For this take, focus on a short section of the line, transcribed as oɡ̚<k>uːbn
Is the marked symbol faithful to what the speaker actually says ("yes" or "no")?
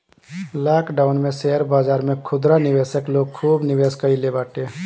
no